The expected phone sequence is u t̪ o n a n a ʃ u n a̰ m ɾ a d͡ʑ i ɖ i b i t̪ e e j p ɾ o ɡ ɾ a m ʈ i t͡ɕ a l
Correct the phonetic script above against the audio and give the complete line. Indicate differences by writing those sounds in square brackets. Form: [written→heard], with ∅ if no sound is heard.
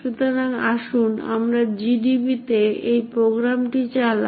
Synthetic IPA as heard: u t̪ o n a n a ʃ u n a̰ m ɾ a d͡ʑ i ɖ i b i t̪ e e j p ɾ o ɡ ɾ a m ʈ i t͡ɕ a l